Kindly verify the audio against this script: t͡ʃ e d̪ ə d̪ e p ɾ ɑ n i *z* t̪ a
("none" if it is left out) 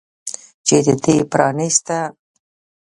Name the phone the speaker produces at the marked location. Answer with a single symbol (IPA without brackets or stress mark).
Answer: s